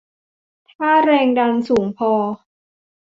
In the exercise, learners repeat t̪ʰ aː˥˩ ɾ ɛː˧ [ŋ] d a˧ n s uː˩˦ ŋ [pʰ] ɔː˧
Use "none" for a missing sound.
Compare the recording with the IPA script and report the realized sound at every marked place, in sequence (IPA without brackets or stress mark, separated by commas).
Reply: ŋ, pʰ